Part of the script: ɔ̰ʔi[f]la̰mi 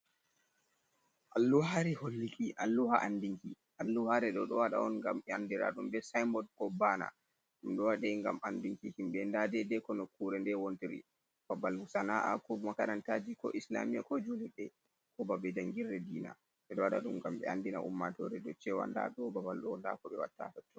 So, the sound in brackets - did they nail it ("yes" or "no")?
no